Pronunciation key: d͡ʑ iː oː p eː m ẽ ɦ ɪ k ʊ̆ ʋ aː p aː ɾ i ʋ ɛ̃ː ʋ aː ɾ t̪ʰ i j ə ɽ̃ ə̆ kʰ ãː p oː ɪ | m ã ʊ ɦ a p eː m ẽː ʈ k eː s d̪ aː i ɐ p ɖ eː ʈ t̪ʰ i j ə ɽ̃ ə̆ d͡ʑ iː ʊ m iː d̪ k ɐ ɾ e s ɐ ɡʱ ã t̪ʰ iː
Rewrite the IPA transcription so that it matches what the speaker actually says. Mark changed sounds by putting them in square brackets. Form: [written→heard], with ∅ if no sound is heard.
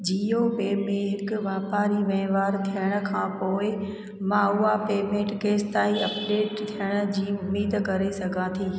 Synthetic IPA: d͡ʑ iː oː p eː m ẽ ɦ ɪ k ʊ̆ ʋ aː p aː ɾ i ʋ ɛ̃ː ʋ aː ɾ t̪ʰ i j ə ɽ̃ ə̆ kʰ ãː p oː ɪ | m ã ʊ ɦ a p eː m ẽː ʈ k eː s [d̪→t̪] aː i ɐ p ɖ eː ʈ t̪ʰ i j ə ɽ̃ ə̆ d͡ʑ iː ʊ m iː d̪ k ɐ ɾ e s ɐ ɡʱ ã t̪ʰ iː